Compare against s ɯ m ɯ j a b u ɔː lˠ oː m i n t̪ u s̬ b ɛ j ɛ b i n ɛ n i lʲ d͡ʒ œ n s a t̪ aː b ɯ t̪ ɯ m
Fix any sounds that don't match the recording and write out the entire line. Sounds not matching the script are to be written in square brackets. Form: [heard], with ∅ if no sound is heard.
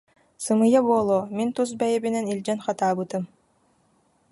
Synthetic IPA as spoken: s ɯ m ɯ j a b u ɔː lˠ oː m i n t̪ u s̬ b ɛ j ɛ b i n ɛ n i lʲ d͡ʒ [ɛ] n [χ] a t̪ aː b ɯ t̪ ɯ m

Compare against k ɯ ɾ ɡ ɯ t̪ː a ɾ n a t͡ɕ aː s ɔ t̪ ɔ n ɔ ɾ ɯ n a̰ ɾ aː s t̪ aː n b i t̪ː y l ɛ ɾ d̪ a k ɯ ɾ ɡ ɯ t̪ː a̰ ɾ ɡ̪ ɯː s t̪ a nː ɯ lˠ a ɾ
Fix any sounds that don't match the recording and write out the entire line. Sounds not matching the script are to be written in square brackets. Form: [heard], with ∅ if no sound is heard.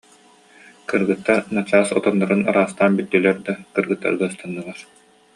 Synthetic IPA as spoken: k ɯ ɾ ɡ ɯ t̪ː a ɾ n a t͡ɕ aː s ɔ t̪ ɔ [nː] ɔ ɾ ɯ n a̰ ɾ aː s t̪ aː n b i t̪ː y l ɛ ɾ d̪ a k ɯ ɾ ɡ ɯ t̪ː a̰ ɾ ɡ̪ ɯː s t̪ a nː ɯ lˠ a ɾ

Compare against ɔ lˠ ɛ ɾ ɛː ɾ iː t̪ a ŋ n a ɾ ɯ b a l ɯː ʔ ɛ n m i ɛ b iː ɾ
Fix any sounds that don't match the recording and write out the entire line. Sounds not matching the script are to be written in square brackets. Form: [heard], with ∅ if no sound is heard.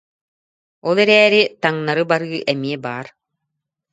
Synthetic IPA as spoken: ɔ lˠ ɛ ɾ ɛː ɾ [i] t̪ a ŋ n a ɾ ɯ b a [ɾ] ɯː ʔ ɛ [∅] m i ɛ b [aː] ɾ

